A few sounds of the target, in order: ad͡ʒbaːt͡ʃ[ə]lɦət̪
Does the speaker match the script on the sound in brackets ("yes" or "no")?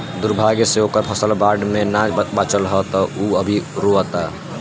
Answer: yes